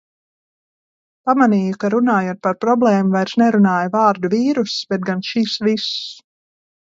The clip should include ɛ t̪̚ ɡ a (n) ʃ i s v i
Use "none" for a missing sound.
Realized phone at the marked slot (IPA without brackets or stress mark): n